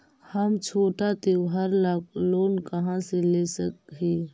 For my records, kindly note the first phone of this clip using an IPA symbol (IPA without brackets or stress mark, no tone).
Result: h